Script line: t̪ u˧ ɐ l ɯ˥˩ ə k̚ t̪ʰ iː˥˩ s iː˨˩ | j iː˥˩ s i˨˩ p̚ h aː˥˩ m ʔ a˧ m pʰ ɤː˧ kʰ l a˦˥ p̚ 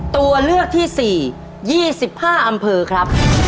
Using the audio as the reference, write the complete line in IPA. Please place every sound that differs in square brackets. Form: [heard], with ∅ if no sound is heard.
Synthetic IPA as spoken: t̪ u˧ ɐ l ɯ˥˩ ə k̚ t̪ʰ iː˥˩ s iː˨˩ | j iː˥˩ s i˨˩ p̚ h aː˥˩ [∅] ʔ a˧ m pʰ ɤː˧ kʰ [ɾ] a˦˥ p̚

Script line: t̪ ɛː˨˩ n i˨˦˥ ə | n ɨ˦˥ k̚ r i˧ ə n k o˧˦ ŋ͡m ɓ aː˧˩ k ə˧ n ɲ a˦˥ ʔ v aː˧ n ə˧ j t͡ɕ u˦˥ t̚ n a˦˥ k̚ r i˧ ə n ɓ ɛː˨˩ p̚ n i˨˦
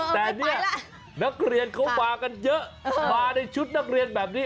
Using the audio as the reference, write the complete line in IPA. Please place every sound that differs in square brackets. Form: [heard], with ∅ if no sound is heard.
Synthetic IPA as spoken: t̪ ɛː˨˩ n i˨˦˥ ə | n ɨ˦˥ k̚ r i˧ ə n k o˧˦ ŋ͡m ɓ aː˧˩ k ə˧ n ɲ [ə˦˥] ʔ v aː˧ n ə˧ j t͡ɕ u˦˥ t̚ n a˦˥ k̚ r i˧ ə n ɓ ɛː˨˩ p̚ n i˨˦

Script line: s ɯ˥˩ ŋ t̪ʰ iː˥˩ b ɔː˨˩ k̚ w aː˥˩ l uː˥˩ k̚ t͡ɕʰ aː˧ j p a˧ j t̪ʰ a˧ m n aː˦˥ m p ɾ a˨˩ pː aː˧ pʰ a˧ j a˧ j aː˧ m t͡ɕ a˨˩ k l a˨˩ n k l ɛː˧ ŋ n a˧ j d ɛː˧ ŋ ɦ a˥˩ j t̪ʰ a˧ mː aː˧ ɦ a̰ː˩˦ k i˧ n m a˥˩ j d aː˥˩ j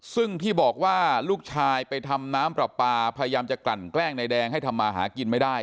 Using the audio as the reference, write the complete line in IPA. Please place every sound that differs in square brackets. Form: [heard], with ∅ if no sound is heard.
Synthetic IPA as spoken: s ɯ˥˩ ŋ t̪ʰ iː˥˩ b ɔː˨˩ k̚ w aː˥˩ l uː˥˩ k̚ t͡ɕʰ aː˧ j p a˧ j t̪ʰ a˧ m n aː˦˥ m p ɾ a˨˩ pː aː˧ pʰ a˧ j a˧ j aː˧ m t͡ɕ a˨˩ k l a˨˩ n k l [ɛː˥˩] ŋ n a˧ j d ɛː˧ ŋ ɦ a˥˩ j t̪ʰ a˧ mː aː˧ ɦ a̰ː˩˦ k i˧ n m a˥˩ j d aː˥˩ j

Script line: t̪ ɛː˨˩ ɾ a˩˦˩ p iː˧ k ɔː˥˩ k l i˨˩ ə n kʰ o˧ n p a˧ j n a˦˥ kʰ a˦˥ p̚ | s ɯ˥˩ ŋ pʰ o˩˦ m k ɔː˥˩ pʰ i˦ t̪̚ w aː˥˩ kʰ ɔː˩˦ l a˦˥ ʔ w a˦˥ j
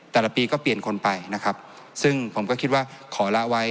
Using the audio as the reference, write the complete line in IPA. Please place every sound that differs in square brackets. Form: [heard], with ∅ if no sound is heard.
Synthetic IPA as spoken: t̪ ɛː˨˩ [l] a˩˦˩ p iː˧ k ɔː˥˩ [p] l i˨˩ ə n kʰ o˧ n p a˧ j n a˦˥ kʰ a˦˥ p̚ | s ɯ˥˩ ŋ pʰ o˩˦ m k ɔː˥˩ [kʰ] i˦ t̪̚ w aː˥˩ kʰ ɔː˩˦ l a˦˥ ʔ w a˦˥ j

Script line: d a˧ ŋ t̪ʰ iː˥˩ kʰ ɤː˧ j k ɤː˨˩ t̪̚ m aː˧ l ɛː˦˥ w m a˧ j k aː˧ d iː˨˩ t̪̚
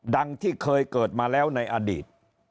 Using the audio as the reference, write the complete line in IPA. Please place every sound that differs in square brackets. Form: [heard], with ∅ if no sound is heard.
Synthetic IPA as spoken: d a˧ ŋ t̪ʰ iː˥˩ kʰ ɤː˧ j k ɤː˨˩ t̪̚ m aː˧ l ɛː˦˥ w [n] a˧ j [ʔ] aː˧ d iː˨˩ t̪̚

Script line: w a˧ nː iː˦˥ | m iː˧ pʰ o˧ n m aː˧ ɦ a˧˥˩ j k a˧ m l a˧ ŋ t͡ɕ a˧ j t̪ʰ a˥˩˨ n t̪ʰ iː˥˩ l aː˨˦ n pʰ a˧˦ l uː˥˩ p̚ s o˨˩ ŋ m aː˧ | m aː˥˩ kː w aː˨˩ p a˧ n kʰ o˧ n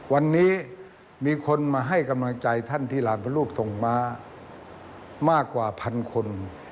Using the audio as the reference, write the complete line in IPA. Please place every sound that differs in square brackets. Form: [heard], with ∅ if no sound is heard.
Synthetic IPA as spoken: w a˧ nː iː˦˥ | m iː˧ [kʰ] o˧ n m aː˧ ɦ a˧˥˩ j k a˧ m l a˧ ŋ t͡ɕ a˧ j t̪ʰ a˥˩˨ n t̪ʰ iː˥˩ l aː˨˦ n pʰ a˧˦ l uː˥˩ p̚ s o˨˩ ŋ m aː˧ | m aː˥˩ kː w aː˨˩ [pʰ] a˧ n kʰ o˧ n

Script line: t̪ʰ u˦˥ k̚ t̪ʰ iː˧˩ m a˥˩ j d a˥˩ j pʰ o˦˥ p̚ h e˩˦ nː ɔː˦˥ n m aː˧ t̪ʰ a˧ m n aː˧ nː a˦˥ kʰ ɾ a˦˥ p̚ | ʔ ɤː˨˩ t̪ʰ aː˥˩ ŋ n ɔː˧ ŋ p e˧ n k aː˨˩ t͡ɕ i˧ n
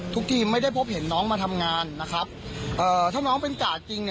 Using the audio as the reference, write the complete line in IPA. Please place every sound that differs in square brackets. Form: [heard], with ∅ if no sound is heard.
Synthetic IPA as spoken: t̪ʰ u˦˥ k̚ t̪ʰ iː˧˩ m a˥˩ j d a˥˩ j pʰ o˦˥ p̚ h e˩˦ nː ɔː˦˥ [ŋ] m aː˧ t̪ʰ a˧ m [ŋ] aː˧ nː a˦˥ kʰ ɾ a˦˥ p̚ | ʔ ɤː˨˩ t̪ʰ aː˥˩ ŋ n [ɔː˦˥] ŋ p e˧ n k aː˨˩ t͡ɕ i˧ [ŋ]

